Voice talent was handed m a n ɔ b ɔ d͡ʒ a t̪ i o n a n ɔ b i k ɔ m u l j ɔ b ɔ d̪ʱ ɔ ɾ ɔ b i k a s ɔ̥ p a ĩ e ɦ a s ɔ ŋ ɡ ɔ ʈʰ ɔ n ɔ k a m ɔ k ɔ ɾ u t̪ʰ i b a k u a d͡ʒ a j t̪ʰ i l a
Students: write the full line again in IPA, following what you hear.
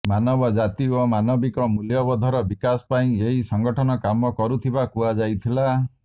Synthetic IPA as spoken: m a n ɔ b ɔ d͡ʒ a t̪ i o m a n ɔ b i k ɔ m u l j ɔ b ɔ d̪ʱ ɔ ɾ ɔ b i k a s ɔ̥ p a ĩ e ɦ i s ɔ ŋ ɡ ɔ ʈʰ ɔ n ɔ k a m ɔ k ɔ ɾ u t̪ʰ i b a k u a d͡ʒ a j t̪ʰ i l a